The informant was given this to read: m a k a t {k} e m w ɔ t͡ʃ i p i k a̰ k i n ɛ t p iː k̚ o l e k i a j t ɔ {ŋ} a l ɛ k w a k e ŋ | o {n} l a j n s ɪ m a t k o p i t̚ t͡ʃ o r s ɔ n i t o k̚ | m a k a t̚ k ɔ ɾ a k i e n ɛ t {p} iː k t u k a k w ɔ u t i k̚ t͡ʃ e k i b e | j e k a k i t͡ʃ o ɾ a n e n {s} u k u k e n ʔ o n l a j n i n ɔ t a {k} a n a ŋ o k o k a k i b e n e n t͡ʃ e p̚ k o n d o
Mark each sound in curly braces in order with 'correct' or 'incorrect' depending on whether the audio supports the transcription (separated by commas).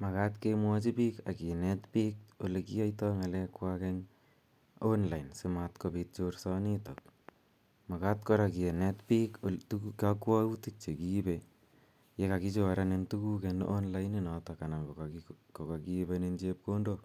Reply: correct, correct, correct, correct, incorrect, correct